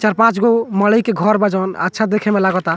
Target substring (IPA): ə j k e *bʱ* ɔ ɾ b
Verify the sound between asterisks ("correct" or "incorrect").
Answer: incorrect